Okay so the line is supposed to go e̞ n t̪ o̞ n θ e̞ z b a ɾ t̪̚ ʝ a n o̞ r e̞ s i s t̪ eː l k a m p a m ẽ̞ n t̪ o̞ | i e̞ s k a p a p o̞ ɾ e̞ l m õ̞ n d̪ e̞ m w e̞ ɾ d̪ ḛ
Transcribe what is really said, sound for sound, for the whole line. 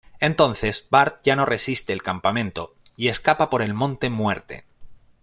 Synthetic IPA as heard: e̞ n t̪ o̞ n θ e̞ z b a ɾ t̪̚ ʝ a n o̞ r e̞ s i s t̪ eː l k a m p a m ẽ̞ n t̪ o̞ | i e̞ s k a p a p o̞ ɾ e̞ l m õ̞ n t̪ e̞ m w e̞ ɾ t̪ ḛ